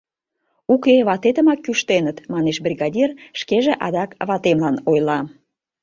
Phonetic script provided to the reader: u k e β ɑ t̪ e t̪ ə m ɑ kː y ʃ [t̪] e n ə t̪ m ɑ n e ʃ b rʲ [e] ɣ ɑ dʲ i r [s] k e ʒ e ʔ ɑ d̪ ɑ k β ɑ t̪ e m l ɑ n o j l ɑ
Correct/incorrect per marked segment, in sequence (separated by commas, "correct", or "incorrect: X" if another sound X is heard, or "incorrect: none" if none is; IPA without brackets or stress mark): correct, incorrect: i, incorrect: ʃ